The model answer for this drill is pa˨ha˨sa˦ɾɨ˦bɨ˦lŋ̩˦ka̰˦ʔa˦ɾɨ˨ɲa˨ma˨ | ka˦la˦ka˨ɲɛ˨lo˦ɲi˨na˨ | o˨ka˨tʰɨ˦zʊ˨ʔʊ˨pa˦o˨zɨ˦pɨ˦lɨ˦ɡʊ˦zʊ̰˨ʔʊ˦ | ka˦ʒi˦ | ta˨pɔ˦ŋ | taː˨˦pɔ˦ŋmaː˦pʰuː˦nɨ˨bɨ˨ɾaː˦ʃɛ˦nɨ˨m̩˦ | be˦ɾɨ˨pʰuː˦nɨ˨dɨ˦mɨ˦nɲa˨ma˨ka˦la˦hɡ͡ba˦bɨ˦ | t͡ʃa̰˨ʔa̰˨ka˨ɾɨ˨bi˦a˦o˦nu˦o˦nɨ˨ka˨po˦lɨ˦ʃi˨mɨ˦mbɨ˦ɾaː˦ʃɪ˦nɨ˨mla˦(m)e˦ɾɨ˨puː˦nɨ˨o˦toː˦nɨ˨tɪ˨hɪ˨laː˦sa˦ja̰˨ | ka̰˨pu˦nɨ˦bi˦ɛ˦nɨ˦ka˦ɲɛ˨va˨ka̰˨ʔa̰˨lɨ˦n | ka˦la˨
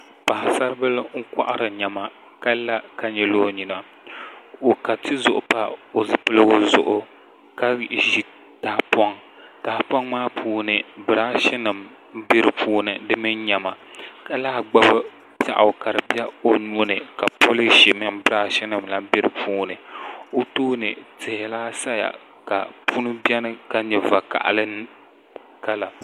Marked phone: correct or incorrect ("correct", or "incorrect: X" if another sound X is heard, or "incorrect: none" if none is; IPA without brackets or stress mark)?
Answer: incorrect: b